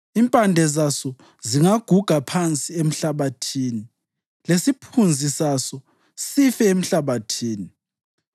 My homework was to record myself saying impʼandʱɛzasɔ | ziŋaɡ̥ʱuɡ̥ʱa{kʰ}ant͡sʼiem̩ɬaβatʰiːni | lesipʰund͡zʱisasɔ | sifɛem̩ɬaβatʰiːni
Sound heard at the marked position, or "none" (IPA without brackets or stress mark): pʰ